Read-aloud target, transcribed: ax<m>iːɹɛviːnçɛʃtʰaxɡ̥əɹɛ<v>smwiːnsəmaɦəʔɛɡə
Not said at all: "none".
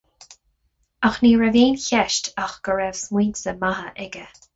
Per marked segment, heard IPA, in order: n, v

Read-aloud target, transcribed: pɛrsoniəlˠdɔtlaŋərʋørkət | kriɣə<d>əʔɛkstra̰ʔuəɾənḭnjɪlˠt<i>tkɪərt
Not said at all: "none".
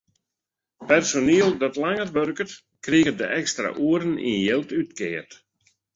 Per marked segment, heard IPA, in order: d, y

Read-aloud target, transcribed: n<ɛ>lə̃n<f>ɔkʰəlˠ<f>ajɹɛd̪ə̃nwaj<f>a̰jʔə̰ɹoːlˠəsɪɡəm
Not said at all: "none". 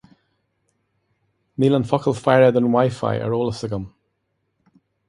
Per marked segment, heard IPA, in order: i, f, f, f

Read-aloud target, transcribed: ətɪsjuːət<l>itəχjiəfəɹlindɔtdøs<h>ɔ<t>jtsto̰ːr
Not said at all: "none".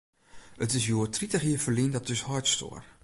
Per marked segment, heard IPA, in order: r, h, none

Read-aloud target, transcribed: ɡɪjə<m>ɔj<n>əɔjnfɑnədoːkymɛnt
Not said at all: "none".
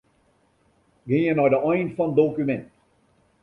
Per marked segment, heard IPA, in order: n, d

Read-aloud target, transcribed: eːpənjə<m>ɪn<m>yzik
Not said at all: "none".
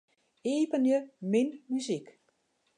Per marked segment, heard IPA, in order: m, m

